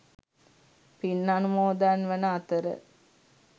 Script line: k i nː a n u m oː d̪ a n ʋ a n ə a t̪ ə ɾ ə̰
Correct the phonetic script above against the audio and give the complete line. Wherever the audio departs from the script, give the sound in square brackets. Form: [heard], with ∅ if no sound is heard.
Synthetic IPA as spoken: [p] i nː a n u m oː d̪ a n ʋ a n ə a t̪ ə ɾ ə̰